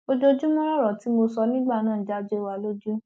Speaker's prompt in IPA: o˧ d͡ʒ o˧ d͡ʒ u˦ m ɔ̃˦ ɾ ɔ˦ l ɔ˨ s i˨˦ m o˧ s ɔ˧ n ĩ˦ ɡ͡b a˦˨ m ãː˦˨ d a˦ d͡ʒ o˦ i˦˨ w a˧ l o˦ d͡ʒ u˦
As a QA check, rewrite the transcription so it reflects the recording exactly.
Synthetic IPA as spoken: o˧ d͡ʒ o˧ d͡ʒ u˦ m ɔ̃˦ ɾ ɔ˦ ɾ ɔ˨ t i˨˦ m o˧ s ɔ˧ n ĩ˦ ɡ͡b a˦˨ n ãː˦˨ d͡ʒ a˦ d͡ʒ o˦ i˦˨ w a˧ l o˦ d͡ʒ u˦

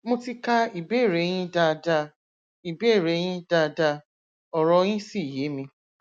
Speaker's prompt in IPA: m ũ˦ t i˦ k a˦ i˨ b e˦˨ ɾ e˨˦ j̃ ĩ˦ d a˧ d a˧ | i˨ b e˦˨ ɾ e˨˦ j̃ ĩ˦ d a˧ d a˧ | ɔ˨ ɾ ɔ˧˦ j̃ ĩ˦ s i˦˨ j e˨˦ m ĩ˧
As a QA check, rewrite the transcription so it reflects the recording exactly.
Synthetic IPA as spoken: m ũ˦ t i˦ k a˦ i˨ b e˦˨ ɾ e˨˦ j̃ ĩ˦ d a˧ d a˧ | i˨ b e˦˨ ɾ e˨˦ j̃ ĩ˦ d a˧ d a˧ | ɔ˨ ɾ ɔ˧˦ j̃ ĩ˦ s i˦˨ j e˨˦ m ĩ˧

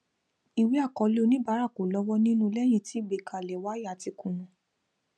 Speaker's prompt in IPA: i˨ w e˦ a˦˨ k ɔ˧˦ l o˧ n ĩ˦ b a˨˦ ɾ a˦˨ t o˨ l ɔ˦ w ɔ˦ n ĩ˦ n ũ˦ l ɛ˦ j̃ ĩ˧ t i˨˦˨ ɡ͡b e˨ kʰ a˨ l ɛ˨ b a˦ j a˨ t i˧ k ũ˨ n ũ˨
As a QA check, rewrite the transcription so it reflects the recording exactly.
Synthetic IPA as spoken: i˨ w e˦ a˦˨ k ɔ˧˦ l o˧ n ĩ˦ b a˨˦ ɾ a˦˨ k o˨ l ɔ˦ w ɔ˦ n ĩ˦ n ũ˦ l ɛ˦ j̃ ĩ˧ t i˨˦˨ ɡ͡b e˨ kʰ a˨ l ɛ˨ w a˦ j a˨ t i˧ k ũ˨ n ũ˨

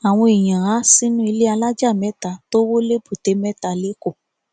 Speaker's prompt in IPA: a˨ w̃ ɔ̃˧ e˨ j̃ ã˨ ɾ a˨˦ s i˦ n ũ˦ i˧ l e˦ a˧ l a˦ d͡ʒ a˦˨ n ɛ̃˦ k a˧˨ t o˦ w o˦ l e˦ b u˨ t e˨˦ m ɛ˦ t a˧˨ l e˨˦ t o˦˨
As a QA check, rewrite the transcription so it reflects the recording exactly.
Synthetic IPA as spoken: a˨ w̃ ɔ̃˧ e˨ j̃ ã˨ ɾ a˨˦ s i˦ n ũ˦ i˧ l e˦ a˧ l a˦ d͡ʒ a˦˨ m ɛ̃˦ t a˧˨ t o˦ w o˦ l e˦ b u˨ t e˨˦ m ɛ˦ t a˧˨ l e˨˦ k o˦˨

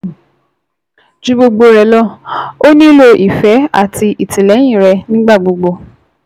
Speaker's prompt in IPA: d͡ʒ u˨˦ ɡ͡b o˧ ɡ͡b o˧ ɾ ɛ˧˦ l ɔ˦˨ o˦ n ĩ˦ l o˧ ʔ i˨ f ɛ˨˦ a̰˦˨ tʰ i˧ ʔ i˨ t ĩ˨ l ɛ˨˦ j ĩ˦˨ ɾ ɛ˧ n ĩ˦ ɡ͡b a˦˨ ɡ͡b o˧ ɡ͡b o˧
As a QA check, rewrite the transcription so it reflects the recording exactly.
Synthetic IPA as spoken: d͡ʒ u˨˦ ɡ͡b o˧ ɡ͡b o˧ ɾ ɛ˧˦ l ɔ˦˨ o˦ n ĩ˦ l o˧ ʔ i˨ f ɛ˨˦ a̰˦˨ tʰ i˧ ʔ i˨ t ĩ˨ l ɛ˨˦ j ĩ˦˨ ɾ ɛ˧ n ĩ˦ ɡ͡b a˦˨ ɡ͡b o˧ ɡ͡b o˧

